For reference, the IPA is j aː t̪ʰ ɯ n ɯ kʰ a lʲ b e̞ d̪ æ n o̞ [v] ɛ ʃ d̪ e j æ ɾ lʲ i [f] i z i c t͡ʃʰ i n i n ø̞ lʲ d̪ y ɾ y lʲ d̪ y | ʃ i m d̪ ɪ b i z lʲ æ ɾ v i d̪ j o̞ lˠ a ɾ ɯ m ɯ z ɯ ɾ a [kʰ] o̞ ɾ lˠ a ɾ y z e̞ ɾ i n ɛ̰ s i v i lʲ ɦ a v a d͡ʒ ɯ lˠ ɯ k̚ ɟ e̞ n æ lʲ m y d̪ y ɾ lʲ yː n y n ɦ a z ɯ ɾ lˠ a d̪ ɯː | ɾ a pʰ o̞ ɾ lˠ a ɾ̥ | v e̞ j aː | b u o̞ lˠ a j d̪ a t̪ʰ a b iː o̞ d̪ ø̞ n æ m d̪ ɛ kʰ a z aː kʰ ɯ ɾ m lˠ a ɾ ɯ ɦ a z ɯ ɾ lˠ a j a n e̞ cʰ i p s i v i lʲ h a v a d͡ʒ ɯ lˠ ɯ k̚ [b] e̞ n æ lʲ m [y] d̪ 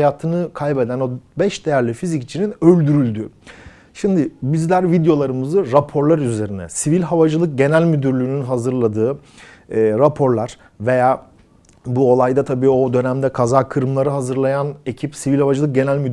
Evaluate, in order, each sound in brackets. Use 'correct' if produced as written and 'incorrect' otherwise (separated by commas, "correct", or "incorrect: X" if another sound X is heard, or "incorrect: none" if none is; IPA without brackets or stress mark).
incorrect: b, correct, incorrect: pʰ, incorrect: ɟ, correct